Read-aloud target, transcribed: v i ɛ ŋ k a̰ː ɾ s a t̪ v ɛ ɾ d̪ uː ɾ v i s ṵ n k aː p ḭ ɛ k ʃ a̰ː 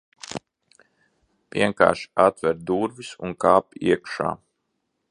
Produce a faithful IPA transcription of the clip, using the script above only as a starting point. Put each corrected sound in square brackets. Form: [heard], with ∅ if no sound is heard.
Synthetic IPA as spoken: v i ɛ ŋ k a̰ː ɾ [ʃ] a t̪ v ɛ ɾ d̪ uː ɾ v i s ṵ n k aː p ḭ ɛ k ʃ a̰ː